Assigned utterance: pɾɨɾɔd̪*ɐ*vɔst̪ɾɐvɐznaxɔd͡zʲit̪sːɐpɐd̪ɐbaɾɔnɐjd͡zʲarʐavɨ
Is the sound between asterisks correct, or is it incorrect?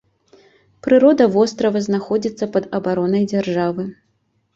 correct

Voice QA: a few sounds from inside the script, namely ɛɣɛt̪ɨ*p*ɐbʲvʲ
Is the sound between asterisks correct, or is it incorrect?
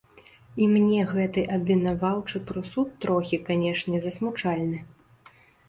incorrect: ʔ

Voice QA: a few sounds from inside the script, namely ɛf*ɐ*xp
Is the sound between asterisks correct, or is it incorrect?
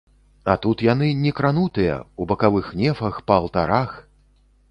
correct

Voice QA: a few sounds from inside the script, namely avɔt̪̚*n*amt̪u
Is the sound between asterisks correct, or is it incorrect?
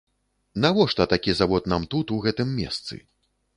correct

